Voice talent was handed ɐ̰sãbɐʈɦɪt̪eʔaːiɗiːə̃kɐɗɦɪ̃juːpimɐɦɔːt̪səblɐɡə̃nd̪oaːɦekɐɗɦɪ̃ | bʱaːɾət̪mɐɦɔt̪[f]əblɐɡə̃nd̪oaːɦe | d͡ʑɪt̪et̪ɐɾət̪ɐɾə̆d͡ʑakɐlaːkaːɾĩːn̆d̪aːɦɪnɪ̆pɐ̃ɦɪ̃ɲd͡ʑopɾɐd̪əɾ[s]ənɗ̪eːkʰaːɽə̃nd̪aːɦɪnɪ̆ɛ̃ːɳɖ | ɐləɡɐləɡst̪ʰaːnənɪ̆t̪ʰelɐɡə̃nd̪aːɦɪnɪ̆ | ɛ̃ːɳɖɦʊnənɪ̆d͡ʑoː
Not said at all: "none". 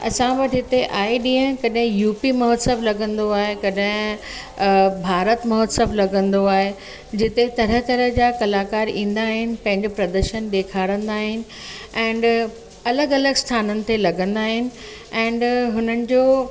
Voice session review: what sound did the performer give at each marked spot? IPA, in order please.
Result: s, ʃ

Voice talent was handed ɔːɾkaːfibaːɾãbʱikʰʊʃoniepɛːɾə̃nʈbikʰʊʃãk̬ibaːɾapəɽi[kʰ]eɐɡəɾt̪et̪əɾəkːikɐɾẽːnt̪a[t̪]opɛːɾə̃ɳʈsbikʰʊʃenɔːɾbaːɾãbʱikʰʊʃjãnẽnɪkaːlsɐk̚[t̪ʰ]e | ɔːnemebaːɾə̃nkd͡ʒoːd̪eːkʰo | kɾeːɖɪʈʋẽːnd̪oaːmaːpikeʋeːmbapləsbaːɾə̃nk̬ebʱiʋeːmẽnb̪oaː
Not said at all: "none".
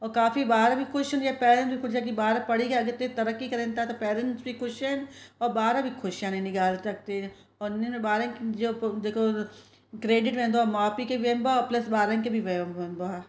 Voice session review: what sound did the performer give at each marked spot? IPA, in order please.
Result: k, t̪, t̪

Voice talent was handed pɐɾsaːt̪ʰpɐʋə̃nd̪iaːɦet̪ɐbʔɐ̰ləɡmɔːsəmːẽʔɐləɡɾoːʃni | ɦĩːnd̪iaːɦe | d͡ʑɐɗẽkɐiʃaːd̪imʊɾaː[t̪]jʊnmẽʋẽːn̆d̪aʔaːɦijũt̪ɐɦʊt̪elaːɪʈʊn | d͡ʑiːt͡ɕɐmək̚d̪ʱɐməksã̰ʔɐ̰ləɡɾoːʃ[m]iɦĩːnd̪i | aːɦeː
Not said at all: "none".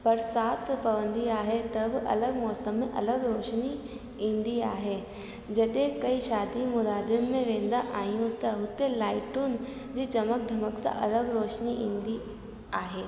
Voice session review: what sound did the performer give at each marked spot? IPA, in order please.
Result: d̪, n

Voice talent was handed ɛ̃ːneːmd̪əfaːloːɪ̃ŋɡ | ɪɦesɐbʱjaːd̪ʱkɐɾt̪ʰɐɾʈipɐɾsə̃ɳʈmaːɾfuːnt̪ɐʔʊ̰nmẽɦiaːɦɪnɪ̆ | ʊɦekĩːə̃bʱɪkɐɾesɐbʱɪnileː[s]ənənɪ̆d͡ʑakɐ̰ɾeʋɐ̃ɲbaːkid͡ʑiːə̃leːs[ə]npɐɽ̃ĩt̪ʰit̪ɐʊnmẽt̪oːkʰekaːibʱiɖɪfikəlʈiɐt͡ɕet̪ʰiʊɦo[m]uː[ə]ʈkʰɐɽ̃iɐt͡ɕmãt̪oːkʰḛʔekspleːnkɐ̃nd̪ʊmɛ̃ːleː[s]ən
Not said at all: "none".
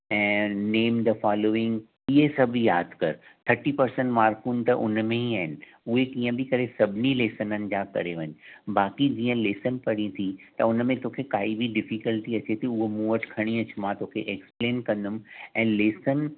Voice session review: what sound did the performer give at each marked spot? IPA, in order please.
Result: s, ə, m, ə, s

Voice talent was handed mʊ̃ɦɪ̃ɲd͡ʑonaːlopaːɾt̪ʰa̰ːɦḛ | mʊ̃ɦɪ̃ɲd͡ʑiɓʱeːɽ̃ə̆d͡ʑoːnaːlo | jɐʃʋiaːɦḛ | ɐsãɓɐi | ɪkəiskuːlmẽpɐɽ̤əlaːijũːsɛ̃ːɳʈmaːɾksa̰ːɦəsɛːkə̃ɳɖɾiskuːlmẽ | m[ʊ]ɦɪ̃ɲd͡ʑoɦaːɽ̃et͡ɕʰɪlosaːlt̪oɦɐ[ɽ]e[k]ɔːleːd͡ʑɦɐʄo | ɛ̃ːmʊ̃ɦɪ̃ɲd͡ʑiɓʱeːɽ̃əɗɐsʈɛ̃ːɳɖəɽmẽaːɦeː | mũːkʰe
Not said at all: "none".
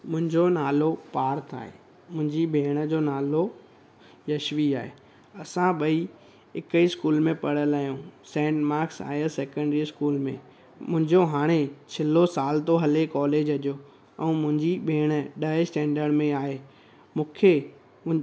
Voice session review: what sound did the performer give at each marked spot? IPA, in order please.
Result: ʊ̃, l, k

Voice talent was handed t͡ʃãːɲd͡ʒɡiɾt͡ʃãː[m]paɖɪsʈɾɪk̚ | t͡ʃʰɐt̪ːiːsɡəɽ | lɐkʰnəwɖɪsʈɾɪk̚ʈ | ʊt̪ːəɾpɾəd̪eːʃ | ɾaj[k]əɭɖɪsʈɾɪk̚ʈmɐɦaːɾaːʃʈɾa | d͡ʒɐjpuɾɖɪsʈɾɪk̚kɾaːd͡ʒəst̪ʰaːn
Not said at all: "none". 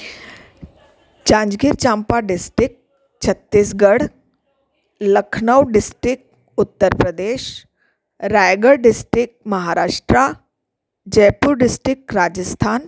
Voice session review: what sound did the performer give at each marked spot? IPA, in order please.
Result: m, ɡ

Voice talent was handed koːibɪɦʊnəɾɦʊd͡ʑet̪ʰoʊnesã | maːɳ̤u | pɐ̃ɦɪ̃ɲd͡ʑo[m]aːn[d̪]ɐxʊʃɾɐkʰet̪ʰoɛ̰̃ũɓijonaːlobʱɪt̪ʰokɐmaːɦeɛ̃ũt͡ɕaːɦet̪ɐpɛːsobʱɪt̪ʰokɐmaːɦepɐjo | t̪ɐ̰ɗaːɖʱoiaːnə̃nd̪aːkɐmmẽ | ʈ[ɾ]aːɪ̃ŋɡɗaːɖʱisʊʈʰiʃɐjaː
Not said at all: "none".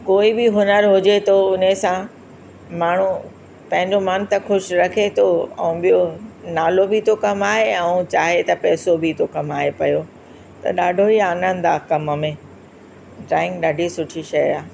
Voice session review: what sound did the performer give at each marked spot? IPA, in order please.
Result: m, t̪, ɾ

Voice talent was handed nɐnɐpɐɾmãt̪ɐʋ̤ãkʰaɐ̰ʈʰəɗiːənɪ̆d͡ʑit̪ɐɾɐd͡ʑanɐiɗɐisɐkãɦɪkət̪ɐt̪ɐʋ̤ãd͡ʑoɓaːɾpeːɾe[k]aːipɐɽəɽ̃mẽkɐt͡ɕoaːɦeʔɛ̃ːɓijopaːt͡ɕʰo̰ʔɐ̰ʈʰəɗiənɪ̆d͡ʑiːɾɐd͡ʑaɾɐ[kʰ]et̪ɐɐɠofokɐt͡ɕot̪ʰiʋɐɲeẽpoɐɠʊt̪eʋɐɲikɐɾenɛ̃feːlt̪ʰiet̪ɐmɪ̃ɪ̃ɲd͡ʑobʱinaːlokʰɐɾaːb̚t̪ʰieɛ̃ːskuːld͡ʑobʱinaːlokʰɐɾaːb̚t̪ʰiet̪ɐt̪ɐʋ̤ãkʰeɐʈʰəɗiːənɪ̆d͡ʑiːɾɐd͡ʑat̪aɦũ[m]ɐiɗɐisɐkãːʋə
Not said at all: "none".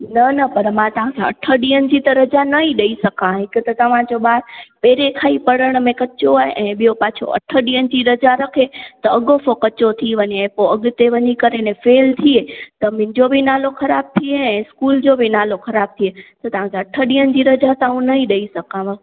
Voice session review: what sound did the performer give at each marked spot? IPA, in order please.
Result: kʰ, kʰ, n

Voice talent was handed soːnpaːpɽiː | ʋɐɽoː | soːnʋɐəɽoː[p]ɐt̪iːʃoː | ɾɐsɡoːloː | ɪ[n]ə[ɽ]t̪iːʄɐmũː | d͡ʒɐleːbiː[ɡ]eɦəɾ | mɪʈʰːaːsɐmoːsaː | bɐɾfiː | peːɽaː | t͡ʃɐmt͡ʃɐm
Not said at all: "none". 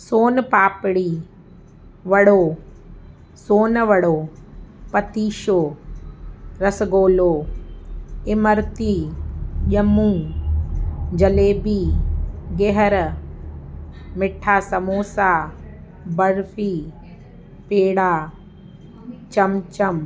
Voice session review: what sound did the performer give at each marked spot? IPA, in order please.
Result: p, m, ɾ, ɡ

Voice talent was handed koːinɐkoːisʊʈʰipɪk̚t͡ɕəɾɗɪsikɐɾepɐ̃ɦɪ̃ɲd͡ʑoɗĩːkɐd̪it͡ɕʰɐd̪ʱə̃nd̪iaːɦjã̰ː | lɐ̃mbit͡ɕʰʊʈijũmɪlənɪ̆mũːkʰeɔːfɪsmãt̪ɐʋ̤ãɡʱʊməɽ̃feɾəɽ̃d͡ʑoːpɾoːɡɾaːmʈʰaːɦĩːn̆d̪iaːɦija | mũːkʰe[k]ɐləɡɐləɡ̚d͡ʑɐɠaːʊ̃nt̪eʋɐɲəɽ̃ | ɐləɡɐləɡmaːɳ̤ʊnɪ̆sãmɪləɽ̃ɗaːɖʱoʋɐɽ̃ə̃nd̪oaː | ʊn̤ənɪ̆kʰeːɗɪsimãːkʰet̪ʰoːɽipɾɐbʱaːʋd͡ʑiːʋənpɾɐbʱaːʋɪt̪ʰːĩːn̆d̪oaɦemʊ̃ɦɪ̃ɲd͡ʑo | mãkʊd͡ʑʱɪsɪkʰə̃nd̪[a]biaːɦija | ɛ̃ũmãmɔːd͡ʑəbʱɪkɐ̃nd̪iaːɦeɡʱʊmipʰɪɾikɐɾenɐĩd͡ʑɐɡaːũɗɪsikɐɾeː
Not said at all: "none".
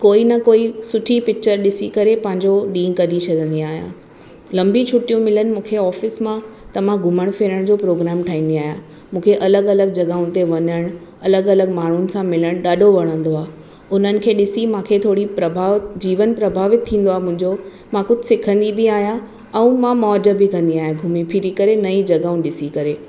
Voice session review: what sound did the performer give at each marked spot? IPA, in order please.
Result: ʔ, i

